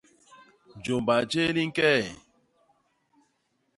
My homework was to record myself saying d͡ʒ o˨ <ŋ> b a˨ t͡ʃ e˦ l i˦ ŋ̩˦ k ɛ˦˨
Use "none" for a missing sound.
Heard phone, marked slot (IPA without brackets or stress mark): m